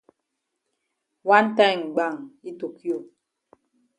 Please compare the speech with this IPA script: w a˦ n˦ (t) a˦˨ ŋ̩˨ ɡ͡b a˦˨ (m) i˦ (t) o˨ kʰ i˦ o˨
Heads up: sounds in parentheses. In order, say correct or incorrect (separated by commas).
correct, incorrect, correct